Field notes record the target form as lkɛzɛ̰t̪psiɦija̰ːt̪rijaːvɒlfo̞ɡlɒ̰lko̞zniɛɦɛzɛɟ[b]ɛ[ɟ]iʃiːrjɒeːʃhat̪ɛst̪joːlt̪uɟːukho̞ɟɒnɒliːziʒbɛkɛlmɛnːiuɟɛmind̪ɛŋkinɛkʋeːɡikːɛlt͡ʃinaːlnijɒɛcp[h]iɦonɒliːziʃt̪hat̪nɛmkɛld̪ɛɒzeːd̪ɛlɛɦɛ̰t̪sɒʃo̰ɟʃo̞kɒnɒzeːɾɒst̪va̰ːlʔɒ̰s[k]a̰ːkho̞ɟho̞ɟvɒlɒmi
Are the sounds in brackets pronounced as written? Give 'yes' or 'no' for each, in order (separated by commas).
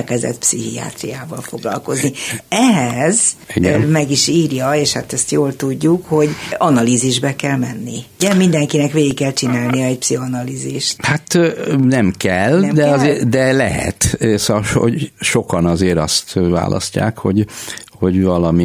no, no, no, no